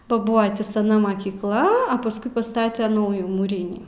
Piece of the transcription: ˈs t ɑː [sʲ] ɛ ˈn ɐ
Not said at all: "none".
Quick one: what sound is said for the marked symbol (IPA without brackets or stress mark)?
tʲ